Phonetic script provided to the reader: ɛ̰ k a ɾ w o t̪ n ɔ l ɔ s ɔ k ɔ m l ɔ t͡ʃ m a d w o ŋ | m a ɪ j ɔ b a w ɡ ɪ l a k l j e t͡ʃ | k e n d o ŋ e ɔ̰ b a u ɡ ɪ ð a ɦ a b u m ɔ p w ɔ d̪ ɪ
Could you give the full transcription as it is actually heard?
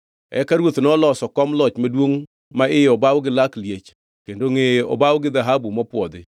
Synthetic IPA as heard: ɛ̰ k a ɾ w o t̪ n ɔ l ɔ s ɔ k ɔ m l ɔ t͡ʃ m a d w o ŋ | m a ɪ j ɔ b a w ɡ ɪ l a k l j e t͡ʃ | k e n d o ŋ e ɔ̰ b a w ɡ ɪ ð a ɦ a b u m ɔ p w ɔ d̪ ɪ